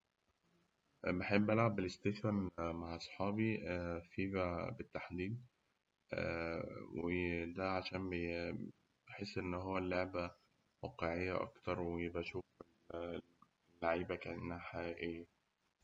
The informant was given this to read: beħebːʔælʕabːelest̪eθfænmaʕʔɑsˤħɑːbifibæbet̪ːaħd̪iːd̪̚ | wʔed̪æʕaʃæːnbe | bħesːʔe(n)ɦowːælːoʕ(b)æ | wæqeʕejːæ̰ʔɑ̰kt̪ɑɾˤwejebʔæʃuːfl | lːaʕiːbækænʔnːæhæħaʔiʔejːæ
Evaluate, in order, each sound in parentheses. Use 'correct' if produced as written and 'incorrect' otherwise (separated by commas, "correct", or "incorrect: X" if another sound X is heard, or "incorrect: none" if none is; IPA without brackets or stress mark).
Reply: incorrect: nː, correct